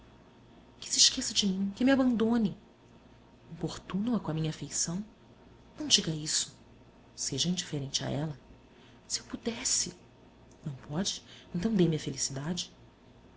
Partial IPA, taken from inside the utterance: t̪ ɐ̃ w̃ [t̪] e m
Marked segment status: incorrect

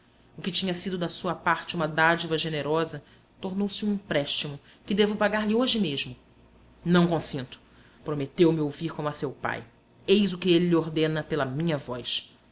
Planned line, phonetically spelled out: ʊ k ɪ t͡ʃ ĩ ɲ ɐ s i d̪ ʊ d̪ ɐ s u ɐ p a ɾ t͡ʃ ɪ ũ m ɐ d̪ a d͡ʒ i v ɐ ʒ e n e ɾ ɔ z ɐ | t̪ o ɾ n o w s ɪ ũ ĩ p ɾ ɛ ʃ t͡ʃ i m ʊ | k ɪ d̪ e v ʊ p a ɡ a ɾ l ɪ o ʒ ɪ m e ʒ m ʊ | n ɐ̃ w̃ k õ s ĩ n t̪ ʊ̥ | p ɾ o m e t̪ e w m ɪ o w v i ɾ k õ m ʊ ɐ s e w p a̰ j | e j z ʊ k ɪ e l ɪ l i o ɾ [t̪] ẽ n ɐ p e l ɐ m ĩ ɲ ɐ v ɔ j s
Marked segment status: incorrect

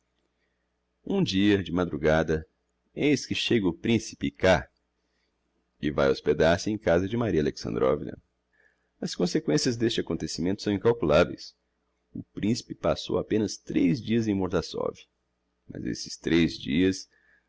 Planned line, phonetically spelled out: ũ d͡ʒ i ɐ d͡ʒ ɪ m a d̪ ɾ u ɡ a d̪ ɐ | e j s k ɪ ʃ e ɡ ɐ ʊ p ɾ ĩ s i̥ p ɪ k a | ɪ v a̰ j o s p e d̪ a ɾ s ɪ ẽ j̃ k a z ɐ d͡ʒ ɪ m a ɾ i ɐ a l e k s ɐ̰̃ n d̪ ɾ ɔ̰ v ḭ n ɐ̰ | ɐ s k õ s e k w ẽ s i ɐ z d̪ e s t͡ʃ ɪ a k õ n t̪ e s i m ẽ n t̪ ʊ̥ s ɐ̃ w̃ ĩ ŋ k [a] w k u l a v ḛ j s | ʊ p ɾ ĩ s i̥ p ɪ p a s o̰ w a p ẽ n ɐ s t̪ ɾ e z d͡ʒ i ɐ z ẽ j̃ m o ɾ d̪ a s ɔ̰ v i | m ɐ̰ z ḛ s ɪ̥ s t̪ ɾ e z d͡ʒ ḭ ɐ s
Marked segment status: correct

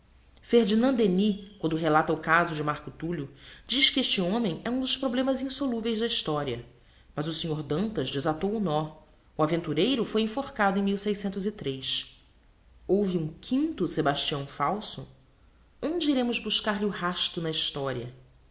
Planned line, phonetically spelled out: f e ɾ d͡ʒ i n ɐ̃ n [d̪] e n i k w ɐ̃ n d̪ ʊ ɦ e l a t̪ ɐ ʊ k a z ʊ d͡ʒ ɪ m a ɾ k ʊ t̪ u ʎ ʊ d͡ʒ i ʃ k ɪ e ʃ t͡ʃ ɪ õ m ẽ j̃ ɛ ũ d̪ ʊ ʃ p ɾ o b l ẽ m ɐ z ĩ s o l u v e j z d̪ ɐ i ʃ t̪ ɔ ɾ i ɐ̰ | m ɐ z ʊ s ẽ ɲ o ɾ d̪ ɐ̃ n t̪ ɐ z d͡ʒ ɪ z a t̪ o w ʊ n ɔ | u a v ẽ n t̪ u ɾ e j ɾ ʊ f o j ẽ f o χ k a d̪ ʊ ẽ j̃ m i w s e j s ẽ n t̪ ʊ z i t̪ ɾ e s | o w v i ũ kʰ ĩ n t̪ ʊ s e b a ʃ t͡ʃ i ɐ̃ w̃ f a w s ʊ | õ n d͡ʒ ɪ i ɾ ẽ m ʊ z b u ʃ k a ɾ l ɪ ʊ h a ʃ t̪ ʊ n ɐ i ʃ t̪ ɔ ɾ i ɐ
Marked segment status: correct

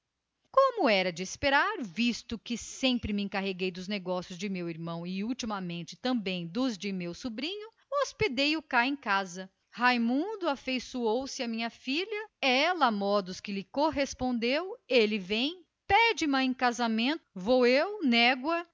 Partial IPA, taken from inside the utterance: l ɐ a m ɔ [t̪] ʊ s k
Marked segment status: incorrect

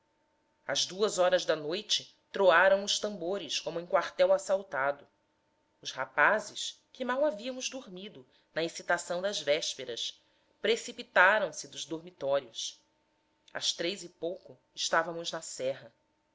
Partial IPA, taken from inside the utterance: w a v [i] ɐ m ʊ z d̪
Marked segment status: correct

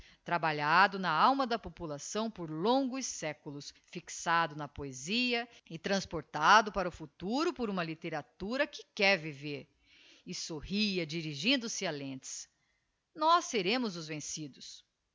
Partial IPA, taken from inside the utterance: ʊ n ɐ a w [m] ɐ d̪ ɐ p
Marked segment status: correct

